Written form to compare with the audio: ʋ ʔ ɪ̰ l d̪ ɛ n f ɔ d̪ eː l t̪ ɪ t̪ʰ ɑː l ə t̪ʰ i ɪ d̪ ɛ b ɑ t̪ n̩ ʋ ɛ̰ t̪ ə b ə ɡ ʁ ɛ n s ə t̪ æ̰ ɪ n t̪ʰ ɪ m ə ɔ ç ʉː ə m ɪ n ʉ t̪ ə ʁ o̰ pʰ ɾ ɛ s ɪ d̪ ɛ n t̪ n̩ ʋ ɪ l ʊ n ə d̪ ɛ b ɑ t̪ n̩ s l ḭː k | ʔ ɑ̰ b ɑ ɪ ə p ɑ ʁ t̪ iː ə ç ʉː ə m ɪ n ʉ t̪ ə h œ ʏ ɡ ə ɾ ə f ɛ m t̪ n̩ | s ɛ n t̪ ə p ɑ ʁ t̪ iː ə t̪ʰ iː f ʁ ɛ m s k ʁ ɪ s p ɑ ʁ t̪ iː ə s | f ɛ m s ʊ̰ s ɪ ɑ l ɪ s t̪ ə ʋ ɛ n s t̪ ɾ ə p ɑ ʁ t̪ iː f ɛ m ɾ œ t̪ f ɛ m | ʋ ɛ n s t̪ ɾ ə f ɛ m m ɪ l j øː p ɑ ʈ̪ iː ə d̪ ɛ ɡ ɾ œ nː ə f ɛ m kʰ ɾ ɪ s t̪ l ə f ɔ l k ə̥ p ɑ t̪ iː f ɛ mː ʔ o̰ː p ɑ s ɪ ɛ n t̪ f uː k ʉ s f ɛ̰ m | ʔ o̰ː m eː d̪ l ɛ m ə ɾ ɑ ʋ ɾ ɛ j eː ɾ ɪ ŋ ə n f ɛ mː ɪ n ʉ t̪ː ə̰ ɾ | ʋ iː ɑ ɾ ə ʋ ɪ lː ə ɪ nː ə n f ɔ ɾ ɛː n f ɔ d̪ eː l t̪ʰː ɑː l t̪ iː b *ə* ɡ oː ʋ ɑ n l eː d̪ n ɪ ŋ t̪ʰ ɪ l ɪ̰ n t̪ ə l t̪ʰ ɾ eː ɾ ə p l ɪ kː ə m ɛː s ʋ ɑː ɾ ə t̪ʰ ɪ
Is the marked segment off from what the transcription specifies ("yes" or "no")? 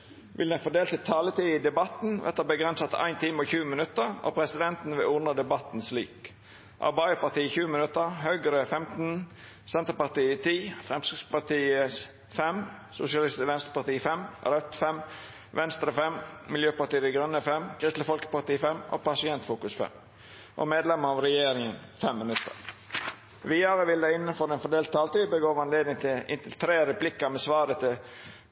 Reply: no